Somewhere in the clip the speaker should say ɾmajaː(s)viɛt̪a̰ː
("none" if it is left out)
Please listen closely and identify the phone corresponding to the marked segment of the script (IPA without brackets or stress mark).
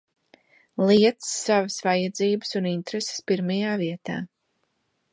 none